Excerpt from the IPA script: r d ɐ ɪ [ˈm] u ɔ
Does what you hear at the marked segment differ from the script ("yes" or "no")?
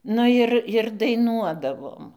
yes